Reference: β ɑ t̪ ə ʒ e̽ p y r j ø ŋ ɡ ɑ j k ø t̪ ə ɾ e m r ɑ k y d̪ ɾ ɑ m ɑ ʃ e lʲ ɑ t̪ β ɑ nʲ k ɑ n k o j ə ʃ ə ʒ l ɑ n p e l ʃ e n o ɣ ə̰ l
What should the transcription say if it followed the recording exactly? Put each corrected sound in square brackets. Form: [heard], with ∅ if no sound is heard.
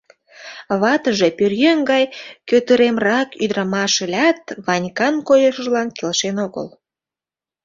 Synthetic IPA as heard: β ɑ t̪ ə ʒ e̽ p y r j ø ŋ ɡ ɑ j k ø t̪ ə ɾ e m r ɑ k y d̪ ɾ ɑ m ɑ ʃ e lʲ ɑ t̪ β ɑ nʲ k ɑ n k o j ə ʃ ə ʒ l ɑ n [k] e l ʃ e n o ɣ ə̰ l

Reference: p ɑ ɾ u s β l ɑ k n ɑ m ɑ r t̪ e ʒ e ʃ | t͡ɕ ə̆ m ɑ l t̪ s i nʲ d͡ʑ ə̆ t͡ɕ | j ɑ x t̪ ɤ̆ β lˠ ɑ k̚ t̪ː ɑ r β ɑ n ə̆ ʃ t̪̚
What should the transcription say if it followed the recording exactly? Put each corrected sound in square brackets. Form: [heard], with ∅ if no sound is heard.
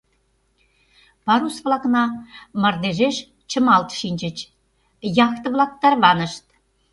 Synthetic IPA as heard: p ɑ ɾ u s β l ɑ k n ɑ m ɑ r [d̪] e ʒ e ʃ | t͡ɕ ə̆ m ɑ l t̪ [ʃ] i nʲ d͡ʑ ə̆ t͡ɕ | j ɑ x t̪ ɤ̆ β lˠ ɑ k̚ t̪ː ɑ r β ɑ n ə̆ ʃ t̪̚

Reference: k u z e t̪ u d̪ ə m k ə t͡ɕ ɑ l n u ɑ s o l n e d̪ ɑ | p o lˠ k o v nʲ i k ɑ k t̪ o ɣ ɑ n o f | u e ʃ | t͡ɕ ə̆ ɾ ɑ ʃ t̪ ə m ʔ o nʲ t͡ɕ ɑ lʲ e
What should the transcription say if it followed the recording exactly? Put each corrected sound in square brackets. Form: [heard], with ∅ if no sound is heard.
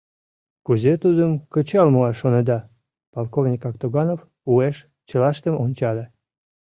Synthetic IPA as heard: k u z e t̪ u d̪ ə m k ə t͡ɕ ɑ l [m] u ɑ [ʃ] o [∅] n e d̪ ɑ | p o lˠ k o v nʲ i k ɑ k t̪ o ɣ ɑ n o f | u e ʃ | t͡ɕ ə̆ [l] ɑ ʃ t̪ ə m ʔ o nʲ t͡ɕ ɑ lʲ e

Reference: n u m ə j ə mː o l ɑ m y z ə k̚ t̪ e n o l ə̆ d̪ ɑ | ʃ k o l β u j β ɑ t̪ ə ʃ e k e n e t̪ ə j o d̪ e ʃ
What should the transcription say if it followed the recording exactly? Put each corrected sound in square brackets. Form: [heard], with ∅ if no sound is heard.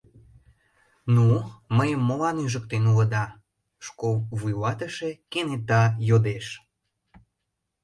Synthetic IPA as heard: n u m ə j ə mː o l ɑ [n] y [ʒ] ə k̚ t̪ e n [u] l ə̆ d̪ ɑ | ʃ k o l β u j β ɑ t̪ ə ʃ e k e n e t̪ [ɑ] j o d̪ e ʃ

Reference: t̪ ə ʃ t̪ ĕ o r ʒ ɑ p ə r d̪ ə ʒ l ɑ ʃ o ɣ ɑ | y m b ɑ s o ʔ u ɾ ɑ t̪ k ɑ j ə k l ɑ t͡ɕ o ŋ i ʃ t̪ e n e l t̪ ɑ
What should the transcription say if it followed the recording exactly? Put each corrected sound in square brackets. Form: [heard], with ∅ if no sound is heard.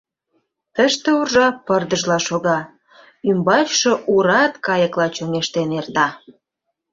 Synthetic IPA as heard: t̪ ə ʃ t̪ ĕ [u] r ʒ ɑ p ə r d̪ ə ʒ l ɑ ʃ o ɣ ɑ | y m b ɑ [ʃ] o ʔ u ɾ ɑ t̪ k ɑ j ə k l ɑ t͡ɕ o ŋ [e] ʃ t̪ e n e [r] t̪ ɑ

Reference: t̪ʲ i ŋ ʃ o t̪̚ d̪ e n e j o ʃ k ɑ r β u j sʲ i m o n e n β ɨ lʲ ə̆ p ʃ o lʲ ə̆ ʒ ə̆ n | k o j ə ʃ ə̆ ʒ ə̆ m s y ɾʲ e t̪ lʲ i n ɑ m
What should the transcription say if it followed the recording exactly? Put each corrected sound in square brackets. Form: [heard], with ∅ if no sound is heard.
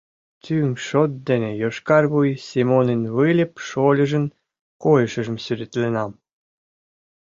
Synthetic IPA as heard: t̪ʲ [y] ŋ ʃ o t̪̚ d̪ e n e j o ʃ k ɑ r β u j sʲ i m o n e n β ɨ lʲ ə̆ p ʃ o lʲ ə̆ ʒ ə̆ n | k o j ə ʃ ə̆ ʒ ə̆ m s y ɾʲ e t̪ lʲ [e] n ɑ m

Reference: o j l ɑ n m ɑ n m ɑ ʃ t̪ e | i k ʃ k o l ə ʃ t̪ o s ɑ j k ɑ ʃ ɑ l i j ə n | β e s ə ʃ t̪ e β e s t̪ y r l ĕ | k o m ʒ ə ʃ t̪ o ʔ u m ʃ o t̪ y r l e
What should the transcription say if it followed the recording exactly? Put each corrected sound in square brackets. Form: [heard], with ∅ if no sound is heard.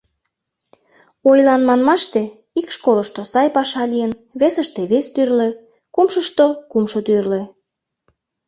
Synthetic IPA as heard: o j l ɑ n m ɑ n m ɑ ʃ t̪ e | i k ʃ k o l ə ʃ t̪ o s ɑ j [p] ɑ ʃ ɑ l i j ə n | β e s ə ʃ t̪ e β e s t̪ y r l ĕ | k [u] m [ʃ] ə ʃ t̪ o [k] u m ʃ o t̪ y r l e

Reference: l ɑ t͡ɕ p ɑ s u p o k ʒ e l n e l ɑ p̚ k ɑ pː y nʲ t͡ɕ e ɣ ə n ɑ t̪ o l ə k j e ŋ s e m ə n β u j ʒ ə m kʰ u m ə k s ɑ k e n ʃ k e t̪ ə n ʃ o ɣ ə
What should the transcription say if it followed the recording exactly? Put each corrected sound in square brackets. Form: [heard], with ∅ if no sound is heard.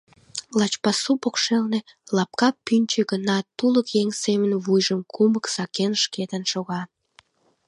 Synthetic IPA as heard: l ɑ t͡ɕ p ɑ s u p o k [ʃ] e l n e l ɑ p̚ k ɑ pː y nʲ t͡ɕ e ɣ ə n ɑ t̪ [u] l ə k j e ŋ s e m ə n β u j ʒ ə m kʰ u m ə k s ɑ k e n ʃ k e t̪ ə n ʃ o ɣ [ɑ]

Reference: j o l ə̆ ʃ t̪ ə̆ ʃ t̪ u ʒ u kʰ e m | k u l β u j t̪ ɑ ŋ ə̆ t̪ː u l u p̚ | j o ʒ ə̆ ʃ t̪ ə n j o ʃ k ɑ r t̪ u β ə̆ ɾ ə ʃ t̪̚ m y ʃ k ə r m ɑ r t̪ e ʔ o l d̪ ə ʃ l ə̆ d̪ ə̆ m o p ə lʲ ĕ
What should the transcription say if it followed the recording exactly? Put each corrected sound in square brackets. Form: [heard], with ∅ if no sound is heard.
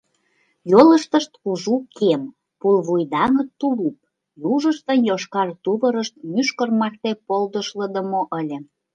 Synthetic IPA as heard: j o l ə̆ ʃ t̪ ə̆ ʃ t̪ u ʒ u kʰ e m | [p] u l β u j [d̪] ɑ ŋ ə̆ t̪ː u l u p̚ | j [u] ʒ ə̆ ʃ t̪ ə n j o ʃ k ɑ r t̪ u β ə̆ ɾ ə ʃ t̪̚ m y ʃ k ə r m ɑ r t̪ e [p] o l d̪ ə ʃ l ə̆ d̪ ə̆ m o [ʔ] ə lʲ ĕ

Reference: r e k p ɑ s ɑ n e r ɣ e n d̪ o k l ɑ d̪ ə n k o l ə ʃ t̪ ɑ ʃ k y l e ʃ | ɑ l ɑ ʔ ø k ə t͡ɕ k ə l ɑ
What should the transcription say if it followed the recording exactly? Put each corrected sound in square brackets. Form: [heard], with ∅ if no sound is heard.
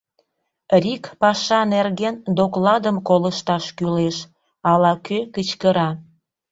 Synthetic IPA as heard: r [i] k p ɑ [ʃ] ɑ n e r ɣ e n d̪ o k l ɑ d̪ ə [m] k o l ə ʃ t̪ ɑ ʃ k y l e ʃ | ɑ l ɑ [k] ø k ə t͡ɕ k ə [ɾ] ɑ

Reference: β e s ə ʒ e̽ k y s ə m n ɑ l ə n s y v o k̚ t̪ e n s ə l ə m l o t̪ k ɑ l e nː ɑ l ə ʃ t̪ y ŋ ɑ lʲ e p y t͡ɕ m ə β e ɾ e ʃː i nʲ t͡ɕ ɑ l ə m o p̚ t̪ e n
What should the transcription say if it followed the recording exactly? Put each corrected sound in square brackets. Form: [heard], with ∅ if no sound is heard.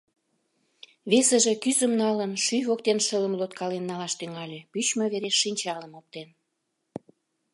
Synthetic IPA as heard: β e s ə ʒ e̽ k y [z] ə m n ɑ l ə n [ʃ] y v o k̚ t̪ e n [ʃ] ə l ə m l o t̪ k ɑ l e nː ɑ l [ɑ] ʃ t̪ y ŋ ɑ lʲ e p y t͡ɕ m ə β e ɾ e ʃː i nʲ t͡ɕ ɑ l ə m o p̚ t̪ e n

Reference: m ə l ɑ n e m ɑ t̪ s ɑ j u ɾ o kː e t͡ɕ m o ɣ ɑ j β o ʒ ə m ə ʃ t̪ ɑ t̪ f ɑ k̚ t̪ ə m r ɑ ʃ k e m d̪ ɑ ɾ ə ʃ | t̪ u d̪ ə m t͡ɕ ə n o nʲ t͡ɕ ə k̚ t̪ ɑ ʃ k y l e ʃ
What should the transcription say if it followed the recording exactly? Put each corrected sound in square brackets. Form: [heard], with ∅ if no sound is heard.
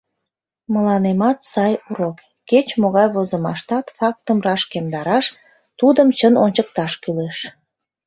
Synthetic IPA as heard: m ə l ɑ n e m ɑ t̪ s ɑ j u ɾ o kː e t͡ɕ m o ɣ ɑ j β o [z] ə m [ɑ] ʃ t̪ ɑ t̪ f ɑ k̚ t̪ ə m r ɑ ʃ k e m d̪ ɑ ɾ [ɑ] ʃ | t̪ u d̪ ə m t͡ɕ ə n o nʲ t͡ɕ ə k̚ t̪ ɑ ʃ k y l e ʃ

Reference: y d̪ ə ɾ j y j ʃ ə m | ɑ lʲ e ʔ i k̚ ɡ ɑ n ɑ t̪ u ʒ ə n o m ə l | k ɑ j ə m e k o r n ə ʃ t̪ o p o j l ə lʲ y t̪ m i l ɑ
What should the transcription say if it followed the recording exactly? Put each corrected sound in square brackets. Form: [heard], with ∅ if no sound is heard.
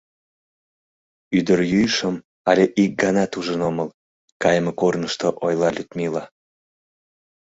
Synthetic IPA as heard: y d̪ ə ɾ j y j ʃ ə m | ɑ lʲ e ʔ i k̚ ɡ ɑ n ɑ t̪ u ʒ ə n o m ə l | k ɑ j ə m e k o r n ə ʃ t̪ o [ʔ] o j l [ɑ] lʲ y t̪ m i l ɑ

